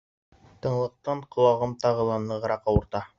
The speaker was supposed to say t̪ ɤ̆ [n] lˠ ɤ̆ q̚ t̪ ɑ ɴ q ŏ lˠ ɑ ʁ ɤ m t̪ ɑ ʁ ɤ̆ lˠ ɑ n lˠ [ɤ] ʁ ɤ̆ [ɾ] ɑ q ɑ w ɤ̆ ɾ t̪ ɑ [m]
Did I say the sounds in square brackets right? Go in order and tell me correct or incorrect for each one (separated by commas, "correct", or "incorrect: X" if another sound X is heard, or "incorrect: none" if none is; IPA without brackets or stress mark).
incorrect: ɴ, correct, correct, incorrect: none